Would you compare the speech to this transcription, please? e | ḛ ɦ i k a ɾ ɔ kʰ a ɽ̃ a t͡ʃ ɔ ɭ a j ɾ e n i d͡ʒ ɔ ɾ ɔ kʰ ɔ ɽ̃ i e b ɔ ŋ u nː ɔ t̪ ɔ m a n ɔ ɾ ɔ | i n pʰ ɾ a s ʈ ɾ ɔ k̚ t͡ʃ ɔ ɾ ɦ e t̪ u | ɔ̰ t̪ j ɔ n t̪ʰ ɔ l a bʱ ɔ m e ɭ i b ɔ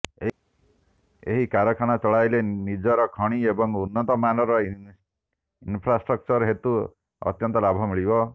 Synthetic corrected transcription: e | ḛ ɦ i k a ɾ ɔ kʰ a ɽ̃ a t͡ʃ ɔ ɭ a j l e n i d͡ʒ ɔ ɾ ɔ kʰ ɔ ɽ̃ i e b ɔ ŋ u nː ɔ t̪ ɔ m a n ɔ ɾ ɔ | i n pʰ ɾ a s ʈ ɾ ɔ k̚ t͡ʃ ɔ ɾ ɦ e t̪ u | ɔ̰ t̪ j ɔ n t̪ ɔ l a bʱ ɔ m i ɭ i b ɔ

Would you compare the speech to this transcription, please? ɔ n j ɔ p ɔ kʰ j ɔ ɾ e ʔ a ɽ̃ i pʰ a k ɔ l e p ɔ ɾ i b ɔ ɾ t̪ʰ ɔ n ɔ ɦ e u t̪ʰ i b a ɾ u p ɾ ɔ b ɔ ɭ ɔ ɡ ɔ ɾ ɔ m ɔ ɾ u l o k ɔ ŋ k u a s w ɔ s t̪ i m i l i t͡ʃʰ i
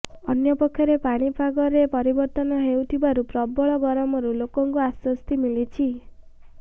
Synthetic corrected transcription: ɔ n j ɔ p ɔ kʰ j ɔ ɾ e p a ɽ̃ i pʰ a ɡ ɔ ɾ e p ɔ ɾ i b ɔ ɾ t̪ ɔ n ɔ ɦ e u t̪ʰ i b a ɾ u p ɾ ɔ b ɔ ɭ ɔ ɡ ɔ ɾ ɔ m ɔ ɾ u l o k ɔ ŋ k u a s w ɔ s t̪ i m i l i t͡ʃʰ i

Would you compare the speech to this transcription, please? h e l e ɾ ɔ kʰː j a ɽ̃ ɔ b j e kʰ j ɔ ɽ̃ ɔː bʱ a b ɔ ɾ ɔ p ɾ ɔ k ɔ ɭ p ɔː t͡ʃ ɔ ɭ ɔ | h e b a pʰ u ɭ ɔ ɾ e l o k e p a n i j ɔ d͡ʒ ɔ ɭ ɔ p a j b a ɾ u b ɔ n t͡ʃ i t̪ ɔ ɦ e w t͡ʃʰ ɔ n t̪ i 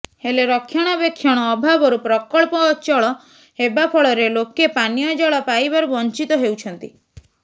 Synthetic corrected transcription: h e l e ɾ ɔ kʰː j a ɽ̃ ɔ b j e kʰ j ɔ ɽ̃ ɔː bʱ a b ɔ ɾ u p ɾ ɔ k ɔ ɭ p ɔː t͡ʃ ɔ ɭ ɔ | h e b a pʰ ɔ ɭ ɔ ɾ e l o k e p a n i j ɔ d͡ʒ ɔ ɭ ɔ p a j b a ɾ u b ɔ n t͡ʃ i t̪ ɔ ɦ e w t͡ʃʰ ɔ n t̪ i

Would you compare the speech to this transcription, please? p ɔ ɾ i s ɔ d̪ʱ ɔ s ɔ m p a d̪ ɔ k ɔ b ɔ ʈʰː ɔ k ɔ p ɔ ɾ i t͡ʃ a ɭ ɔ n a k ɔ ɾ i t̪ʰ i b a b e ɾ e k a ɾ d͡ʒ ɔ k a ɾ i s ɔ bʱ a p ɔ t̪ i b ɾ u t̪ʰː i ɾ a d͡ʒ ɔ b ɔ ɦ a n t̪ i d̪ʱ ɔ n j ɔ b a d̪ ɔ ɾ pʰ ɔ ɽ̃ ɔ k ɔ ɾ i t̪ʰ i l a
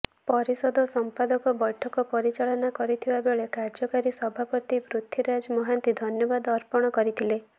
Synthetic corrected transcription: p ɔ ɾ i s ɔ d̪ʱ ɔ s ɔ m p a d̪ ɔ k ɔ b ɔ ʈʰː ɔ k ɔ p ɔ ɾ i t͡ʃ a ɭ ɔ n a k ɔ ɾ i t̪ʰ i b a b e ɭ e k a ɾ d͡ʒ ɔ k a ɾ i s ɔ bʱ a p ɔ t̪ i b ɾ u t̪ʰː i ɾ a d͡ʒ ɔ m ɔ ɦ a n t̪ i d̪ʱ ɔ n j ɔ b a d̪ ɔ ɾ p ɔ ɽ̃ ɔ k ɔ ɾ i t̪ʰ i l e

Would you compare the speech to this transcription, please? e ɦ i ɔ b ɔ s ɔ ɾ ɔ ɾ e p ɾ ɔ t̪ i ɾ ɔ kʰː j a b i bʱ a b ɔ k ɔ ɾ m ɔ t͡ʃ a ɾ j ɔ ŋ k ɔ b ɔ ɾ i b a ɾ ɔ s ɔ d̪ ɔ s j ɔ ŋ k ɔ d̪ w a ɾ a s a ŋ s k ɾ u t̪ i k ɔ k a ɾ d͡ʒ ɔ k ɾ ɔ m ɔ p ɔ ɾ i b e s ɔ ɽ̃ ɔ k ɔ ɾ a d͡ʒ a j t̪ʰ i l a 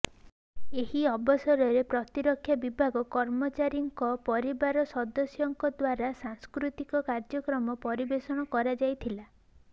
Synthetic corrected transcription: e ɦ i ɔ b ɔ s ɔ ɾ ɔ ɾ e p ɾ ɔ t̪ i ɾ ɔ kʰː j a b i bʱ a ɡ ɔ k ɔ ɾ m ɔ t͡ʃ a ɾ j ɔ ŋ k ɔ p ɔ ɾ i b a ɾ ɔ s ɔ d̪ ɔ s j ɔ ŋ k ɔ d̪ w a ɾ a s a ŋ s k ɾ u t̪ i k ɔ k a ɾ d͡ʒ ɔ k ɾ ɔ m ɔ p ɔ ɾ i b e s ɔ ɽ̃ ɔ k ɔ ɾ a d͡ʒ a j t̪ʰ i l a

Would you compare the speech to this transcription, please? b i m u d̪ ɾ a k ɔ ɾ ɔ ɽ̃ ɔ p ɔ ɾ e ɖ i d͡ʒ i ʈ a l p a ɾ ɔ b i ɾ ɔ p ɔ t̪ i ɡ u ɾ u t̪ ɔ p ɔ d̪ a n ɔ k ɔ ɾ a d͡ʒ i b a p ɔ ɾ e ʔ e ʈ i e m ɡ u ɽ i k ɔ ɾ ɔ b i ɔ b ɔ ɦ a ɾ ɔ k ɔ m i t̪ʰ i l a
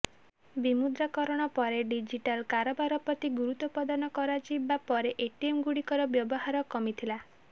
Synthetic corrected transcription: b i m u d̪ ɾ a k ɔ ɾ ɔ ɽ̃ ɔ p ɔ ɾ e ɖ i d͡ʒ i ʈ a l k a ɾ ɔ b a ɾ ɔ p ɔ t̪ i ɡ u ɾ u t̪ ɔ p ɔ d̪ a n ɔ k ɔ ɾ a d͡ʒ i b a p ɔ ɾ e ʔ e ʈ i e m ɡ u ɽ i k ɔ ɾ ɔ b j ɔ b ɔ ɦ a ɾ ɔ k ɔ m i t̪ʰ i l a

